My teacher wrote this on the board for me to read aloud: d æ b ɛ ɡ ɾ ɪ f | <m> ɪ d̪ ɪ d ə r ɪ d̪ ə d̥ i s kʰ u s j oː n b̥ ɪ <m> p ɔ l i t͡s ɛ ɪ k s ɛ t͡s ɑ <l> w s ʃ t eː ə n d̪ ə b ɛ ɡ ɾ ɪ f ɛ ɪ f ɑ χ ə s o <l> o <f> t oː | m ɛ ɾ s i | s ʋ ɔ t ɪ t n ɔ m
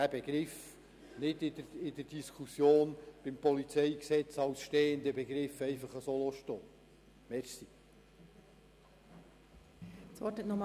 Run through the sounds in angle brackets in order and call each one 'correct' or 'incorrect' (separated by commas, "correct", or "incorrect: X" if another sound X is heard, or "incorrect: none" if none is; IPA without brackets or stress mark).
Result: incorrect: n, correct, incorrect: none, correct, incorrect: ʃ